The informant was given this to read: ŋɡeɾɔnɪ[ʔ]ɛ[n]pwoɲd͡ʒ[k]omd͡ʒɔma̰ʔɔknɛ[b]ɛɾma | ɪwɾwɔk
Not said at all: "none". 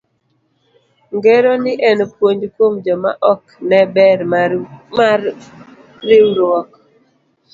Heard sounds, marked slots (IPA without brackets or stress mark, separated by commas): ʔ, n, k, b